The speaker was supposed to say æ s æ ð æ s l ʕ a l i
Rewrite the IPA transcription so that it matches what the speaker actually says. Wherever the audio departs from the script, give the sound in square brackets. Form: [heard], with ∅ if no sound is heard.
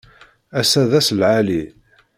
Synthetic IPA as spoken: æ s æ ð æ s l ʕ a l i